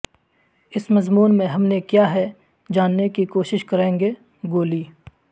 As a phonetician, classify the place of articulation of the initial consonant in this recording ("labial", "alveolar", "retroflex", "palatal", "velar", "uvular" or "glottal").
alveolar